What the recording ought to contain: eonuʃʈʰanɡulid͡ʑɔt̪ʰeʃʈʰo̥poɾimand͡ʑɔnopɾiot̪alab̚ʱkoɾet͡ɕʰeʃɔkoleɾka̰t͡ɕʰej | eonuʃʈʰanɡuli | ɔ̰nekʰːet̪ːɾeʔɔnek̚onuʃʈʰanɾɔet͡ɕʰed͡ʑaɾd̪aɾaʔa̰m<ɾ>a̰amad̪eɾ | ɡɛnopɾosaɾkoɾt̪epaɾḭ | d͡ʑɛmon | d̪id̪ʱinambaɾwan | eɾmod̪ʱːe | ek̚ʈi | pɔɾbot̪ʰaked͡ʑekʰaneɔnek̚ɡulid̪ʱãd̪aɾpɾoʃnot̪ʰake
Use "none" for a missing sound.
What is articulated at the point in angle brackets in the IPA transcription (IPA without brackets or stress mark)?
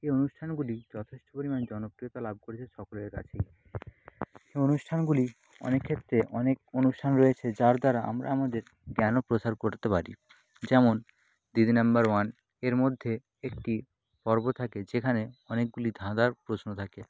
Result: ɾ